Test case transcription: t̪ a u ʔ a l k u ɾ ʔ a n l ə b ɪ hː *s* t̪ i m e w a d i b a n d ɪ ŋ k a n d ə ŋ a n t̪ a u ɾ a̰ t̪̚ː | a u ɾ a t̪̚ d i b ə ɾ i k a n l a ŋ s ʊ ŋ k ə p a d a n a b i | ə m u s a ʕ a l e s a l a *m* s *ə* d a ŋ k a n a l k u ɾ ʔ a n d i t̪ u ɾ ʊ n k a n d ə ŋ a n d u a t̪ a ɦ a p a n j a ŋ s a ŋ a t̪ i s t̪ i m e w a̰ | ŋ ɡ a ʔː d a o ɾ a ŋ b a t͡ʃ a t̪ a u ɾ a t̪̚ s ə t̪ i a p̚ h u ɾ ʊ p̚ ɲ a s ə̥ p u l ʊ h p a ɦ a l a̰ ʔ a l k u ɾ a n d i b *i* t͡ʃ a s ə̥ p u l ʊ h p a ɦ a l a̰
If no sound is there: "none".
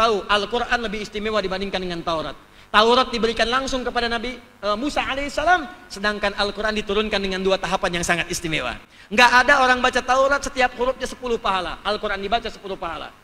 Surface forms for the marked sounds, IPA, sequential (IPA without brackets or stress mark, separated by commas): s, m, ə, a